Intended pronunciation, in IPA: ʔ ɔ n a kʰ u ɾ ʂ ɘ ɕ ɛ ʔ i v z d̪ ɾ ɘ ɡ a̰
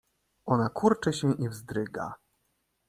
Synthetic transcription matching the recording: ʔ ɔ n a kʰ u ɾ t͡ʂ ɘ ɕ ɛ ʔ i v z d̪ ɾ ɘ ɡ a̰